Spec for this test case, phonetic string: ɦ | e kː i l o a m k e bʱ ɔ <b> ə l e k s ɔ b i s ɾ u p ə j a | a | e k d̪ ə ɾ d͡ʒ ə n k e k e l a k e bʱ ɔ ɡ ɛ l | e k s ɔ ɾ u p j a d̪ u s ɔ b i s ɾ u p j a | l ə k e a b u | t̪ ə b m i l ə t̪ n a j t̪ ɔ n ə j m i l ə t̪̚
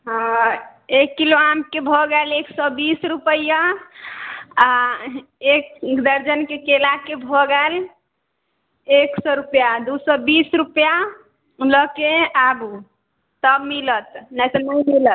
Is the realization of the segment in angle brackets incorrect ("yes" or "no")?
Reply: yes